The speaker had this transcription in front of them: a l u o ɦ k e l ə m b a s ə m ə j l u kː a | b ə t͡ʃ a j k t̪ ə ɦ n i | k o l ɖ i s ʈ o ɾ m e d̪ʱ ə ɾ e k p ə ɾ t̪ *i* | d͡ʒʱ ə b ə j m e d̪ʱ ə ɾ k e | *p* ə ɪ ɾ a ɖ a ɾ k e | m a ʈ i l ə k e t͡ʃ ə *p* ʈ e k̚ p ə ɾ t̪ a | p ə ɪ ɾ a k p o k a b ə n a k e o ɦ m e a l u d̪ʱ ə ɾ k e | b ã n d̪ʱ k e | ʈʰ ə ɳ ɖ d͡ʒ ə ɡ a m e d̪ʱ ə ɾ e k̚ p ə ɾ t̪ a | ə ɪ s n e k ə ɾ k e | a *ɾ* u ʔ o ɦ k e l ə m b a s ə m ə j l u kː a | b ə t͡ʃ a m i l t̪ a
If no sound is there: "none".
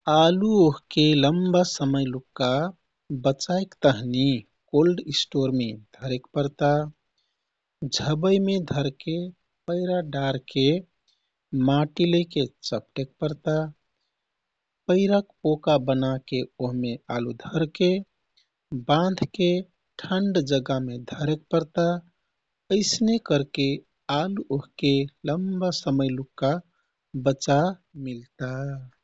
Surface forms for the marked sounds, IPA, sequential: a, p, p, l

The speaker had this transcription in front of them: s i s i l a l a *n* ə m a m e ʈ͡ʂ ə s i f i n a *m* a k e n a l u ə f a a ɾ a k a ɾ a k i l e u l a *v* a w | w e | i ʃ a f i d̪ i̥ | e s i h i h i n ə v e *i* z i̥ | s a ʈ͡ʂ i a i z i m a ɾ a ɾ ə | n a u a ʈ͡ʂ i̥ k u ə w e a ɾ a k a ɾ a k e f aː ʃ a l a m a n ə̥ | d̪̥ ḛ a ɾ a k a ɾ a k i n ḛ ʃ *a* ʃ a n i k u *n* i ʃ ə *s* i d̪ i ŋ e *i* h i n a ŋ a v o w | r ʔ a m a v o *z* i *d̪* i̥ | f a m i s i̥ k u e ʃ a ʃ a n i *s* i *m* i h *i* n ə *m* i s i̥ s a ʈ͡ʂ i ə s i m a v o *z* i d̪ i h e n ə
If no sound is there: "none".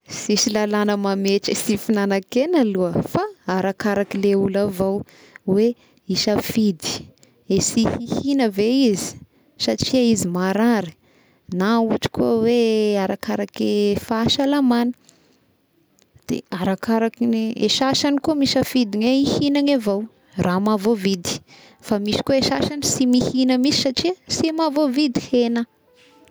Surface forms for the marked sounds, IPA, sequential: n, n, v, i, a, m, f, i, v, d̪, s, m, i, m, v

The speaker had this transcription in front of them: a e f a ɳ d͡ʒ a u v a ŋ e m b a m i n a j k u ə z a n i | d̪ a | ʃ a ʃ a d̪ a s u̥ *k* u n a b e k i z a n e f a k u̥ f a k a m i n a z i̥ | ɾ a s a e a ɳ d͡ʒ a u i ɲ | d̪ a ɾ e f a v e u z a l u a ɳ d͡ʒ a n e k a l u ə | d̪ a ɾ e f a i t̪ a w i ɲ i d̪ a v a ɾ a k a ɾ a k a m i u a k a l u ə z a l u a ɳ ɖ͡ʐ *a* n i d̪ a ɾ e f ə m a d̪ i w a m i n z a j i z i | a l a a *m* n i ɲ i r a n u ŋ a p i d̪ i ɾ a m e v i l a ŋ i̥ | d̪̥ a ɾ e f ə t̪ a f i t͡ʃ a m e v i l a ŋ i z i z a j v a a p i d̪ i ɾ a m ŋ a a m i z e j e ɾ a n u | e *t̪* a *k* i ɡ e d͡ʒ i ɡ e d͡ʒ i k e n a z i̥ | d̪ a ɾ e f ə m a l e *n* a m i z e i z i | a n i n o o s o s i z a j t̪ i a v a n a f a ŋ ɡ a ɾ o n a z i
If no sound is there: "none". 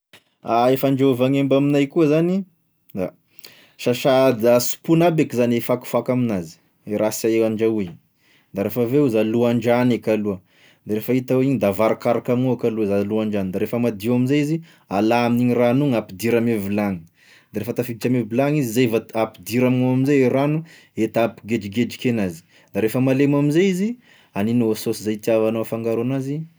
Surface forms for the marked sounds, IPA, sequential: p, a, m, t̪, p, m

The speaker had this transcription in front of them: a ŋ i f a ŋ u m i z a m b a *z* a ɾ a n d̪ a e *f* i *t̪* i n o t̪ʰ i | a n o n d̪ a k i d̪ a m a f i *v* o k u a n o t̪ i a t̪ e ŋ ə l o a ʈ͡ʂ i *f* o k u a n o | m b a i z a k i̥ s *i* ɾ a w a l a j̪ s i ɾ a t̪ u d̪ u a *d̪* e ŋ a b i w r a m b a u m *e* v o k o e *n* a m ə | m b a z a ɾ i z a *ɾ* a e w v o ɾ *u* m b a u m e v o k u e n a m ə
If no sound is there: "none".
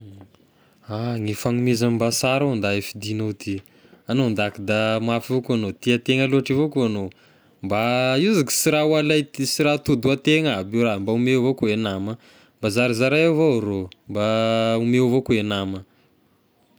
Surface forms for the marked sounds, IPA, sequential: s, f, d̪, v, v, i, t̪, e, n, ɾ, o

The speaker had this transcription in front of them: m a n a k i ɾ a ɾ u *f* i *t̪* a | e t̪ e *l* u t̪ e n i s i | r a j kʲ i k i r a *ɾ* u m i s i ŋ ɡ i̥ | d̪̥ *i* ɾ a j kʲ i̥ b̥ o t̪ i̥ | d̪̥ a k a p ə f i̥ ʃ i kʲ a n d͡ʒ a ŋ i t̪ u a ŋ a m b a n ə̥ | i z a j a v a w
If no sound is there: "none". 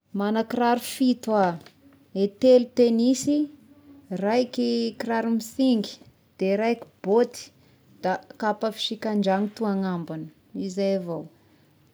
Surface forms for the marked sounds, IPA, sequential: f, t̪, l, ɾ, e

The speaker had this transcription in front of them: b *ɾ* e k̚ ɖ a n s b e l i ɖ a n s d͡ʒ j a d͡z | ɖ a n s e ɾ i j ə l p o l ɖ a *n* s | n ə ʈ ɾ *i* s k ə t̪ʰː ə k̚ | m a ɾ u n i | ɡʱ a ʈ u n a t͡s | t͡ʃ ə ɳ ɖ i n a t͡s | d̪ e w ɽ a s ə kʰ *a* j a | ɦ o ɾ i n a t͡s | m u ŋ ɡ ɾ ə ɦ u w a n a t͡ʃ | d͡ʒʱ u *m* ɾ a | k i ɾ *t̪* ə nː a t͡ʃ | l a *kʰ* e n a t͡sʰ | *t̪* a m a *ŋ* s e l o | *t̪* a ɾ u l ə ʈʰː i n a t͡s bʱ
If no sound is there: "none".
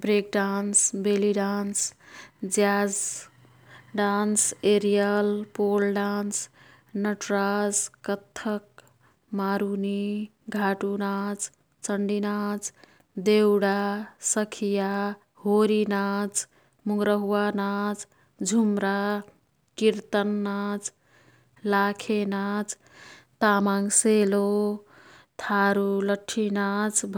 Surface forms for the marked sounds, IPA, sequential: ɾ, n, a, i, m, t̪, kʰ, t̪, ŋ, t̪ʰ

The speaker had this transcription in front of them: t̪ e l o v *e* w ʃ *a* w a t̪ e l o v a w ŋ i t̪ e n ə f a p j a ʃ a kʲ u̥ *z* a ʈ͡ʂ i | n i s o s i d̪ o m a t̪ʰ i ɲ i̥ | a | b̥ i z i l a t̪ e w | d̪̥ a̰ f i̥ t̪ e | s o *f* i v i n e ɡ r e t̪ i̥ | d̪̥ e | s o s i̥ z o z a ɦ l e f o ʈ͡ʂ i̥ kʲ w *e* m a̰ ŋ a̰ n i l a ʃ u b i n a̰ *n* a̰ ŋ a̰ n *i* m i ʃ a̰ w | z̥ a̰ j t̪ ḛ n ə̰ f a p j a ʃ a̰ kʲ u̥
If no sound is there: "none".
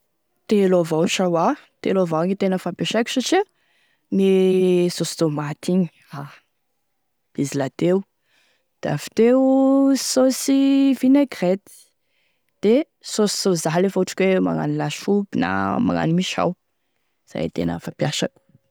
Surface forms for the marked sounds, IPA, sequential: a, a, s, s, e, m, i

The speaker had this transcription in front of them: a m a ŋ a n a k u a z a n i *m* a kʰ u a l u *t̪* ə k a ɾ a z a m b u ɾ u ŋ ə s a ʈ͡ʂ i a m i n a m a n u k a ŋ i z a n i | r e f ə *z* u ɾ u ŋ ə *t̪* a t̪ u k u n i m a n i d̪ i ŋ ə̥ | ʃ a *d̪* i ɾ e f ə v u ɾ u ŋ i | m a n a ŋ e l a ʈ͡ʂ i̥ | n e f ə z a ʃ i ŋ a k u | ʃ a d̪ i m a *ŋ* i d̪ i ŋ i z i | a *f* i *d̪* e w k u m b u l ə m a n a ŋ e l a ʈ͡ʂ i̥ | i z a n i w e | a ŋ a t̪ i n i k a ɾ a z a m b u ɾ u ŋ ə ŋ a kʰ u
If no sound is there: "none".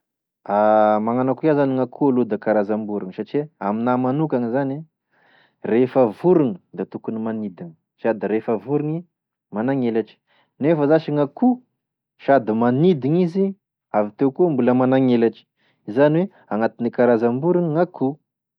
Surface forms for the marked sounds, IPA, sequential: ŋ, d̪, v, d̪, d̪, n, v, t̪

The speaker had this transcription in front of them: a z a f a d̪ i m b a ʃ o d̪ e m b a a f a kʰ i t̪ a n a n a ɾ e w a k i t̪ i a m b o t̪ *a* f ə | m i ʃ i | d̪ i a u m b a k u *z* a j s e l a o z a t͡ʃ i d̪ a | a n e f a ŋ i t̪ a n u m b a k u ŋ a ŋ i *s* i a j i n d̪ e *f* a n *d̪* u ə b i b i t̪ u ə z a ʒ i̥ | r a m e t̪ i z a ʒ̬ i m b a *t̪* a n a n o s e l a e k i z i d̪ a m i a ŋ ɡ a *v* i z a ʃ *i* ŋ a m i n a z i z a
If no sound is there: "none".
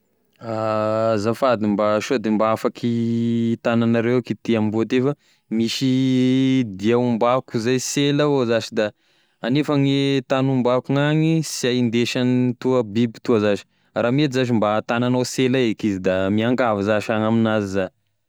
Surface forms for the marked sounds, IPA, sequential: e, z, s, ʃ, t̪, t̪, v, a

